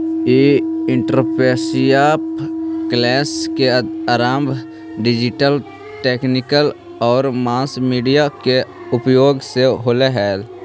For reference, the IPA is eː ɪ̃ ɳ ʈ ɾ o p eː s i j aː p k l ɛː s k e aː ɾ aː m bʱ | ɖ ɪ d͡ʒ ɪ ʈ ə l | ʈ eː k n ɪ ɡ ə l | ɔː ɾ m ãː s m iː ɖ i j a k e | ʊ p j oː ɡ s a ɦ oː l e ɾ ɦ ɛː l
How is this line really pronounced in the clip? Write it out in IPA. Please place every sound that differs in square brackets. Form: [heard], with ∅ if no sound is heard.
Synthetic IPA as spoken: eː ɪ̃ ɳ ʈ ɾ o p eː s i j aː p k l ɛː s k e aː ɾ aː m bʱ | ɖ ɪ d͡ʒ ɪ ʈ ə l | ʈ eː k n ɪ [k] ə l | ɔː ɾ m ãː s m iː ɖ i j a k e | ʊ p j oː ɡ s [e] ɦ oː l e [∅] ɦ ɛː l